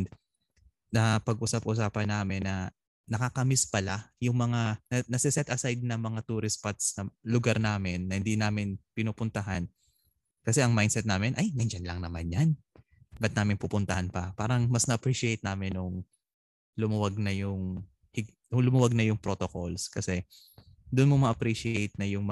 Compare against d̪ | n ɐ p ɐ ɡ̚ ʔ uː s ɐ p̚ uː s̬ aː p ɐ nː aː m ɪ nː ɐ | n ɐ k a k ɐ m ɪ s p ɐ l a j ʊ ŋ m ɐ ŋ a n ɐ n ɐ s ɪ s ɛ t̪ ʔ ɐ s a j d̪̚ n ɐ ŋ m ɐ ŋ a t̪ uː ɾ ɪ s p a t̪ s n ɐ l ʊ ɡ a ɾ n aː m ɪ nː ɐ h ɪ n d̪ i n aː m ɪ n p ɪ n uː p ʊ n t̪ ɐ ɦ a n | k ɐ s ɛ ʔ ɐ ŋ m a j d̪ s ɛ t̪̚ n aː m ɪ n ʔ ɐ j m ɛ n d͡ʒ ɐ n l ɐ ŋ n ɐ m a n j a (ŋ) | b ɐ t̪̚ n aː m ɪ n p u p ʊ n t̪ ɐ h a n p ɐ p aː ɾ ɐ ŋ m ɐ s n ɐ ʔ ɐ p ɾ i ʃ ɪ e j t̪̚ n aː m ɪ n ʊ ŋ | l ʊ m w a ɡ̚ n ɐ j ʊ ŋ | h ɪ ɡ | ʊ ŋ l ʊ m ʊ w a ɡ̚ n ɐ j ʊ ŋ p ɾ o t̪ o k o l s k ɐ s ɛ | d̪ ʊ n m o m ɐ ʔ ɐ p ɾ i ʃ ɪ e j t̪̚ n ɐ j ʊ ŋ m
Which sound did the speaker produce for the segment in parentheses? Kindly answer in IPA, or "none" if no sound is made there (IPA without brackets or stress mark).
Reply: n